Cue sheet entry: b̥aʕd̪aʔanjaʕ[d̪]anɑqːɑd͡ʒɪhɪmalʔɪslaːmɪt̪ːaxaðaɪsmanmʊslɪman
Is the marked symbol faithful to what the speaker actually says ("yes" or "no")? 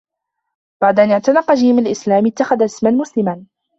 no